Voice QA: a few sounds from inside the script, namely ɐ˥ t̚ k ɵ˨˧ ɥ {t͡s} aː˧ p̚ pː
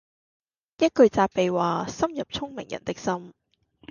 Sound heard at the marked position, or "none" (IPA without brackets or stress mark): t͡s